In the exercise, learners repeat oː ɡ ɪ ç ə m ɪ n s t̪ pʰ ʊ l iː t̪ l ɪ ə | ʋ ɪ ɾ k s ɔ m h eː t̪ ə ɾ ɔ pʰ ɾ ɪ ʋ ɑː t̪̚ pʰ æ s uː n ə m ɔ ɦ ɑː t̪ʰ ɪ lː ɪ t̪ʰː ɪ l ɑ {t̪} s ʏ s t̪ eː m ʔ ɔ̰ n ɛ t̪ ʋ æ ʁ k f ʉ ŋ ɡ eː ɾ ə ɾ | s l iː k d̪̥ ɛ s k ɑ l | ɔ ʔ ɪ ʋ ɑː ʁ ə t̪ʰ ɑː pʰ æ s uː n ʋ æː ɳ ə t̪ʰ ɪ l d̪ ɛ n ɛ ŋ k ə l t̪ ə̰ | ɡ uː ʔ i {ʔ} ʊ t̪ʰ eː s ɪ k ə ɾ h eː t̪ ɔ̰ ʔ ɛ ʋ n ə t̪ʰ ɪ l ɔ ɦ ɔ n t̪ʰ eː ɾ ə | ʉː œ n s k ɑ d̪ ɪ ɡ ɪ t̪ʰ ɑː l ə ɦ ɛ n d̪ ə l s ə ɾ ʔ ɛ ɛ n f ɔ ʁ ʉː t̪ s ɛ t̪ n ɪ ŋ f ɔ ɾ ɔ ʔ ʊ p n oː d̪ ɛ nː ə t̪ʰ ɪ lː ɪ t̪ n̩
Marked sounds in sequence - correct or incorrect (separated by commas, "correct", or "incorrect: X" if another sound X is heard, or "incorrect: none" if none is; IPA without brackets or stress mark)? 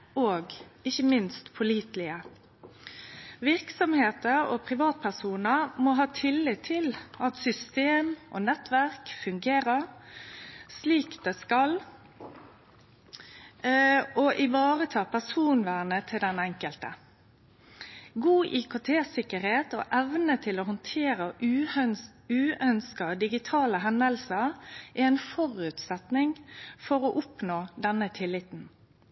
correct, incorrect: k